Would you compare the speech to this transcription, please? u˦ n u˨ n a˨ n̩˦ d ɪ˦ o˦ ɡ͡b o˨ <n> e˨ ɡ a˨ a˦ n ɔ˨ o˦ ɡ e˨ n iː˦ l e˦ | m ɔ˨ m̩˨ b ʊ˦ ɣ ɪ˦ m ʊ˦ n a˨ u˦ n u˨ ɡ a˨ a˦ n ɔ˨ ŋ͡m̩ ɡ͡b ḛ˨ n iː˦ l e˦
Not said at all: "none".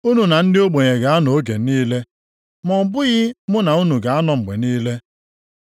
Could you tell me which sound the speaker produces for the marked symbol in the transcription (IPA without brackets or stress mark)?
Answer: ɲ